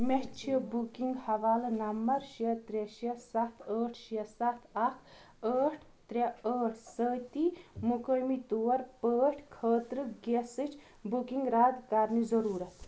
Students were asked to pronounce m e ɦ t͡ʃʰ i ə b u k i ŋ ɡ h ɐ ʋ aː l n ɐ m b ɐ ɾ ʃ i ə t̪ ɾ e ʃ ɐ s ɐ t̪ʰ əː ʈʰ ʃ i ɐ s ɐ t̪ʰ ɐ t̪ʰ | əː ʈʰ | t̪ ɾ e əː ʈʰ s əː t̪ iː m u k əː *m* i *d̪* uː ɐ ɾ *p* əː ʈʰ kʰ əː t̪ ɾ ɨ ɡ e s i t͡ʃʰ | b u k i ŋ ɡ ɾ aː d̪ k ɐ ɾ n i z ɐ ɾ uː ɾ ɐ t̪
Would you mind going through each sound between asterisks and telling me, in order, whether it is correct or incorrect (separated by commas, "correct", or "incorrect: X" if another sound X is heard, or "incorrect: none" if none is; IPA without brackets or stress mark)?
correct, incorrect: t̪, correct